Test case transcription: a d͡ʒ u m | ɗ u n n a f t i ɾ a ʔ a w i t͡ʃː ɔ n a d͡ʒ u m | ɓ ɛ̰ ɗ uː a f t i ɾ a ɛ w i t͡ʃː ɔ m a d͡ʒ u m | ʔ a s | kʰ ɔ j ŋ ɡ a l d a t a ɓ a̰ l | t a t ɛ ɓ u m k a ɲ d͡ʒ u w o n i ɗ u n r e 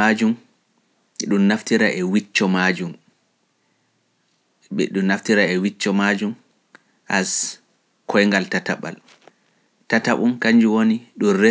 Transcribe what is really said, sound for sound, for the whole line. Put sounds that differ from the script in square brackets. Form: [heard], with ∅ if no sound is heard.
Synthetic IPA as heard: a d͡ʒ u m | ɗ u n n a f t i ɾ a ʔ [ɛ] w i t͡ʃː ɔ [m] a d͡ʒ u m | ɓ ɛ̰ ɗ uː a f t i ɾ a ɛ w i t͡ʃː ɔ m a d͡ʒ u m | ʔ a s | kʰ ɔ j ŋ ɡ a l [t] a t a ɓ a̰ l | t a t [a] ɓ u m k a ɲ d͡ʒ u w o n i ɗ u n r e